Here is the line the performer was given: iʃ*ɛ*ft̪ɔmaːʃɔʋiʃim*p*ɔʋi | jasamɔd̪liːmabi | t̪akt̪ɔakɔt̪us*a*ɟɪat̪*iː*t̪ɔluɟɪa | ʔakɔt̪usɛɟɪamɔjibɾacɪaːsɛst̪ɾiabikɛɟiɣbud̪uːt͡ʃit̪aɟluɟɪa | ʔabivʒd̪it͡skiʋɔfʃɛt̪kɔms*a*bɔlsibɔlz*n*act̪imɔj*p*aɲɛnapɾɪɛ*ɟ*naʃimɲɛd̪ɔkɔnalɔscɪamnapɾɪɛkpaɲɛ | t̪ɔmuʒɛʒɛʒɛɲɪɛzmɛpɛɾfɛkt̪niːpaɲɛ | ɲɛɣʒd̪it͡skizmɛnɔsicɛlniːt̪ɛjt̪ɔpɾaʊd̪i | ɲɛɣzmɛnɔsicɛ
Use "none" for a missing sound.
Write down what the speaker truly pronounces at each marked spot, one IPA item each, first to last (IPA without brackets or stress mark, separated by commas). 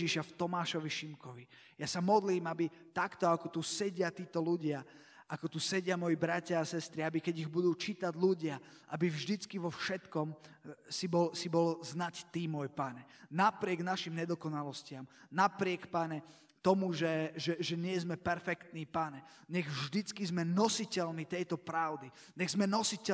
a, k, ɛ, iː, i, n, p, ɡ